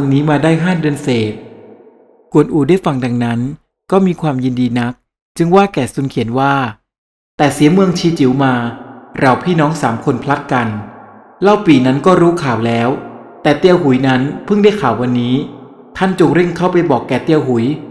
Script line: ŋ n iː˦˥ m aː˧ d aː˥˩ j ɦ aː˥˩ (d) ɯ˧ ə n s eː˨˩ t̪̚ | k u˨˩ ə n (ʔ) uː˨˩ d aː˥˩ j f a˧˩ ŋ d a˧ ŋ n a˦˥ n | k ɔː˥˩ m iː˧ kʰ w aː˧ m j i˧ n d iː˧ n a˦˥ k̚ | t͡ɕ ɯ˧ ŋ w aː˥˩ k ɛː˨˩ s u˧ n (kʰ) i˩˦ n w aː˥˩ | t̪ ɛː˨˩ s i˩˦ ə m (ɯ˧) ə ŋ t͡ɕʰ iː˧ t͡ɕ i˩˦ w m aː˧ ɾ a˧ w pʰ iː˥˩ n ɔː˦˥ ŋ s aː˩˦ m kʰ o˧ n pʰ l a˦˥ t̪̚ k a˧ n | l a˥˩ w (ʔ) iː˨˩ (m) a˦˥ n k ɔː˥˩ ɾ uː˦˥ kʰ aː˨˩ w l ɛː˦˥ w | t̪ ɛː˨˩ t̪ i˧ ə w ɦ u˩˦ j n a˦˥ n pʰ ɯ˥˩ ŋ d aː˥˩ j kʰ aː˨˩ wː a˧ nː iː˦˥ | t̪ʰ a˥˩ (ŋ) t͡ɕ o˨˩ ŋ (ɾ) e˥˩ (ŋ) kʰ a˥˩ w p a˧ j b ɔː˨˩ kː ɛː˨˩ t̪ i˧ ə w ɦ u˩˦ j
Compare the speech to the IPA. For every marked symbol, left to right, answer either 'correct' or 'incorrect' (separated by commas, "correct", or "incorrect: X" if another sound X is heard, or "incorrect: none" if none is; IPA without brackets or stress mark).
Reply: correct, correct, correct, correct, incorrect: p, incorrect: n, incorrect: n, correct, correct